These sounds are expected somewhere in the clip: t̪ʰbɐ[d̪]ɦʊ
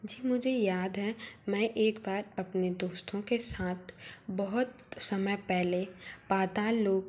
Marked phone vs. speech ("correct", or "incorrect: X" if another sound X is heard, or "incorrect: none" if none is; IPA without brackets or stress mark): incorrect: none